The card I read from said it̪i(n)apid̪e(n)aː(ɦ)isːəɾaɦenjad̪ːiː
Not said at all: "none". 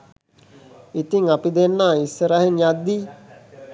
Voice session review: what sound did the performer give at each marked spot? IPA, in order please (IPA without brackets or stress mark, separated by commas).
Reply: ŋ, nː, none